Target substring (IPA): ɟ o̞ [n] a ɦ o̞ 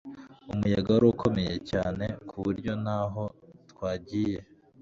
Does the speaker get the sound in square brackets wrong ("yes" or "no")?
no